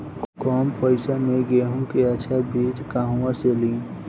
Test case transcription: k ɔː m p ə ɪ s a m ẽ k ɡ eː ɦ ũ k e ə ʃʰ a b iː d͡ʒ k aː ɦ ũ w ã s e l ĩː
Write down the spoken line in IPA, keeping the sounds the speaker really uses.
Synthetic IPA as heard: k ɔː m p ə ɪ s a m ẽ ɡ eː ɦ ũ k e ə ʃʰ a b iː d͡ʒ k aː ɦ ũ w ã s e l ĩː